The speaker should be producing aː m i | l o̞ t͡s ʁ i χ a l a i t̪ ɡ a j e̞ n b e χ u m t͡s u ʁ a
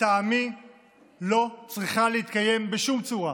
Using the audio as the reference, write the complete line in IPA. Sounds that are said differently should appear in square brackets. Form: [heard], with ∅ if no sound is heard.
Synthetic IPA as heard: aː m i | l o̞ t͡s ʁ i χ a l [e] i t̪ [k] a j e̞ [m] b e [ʃ] u m t͡s u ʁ a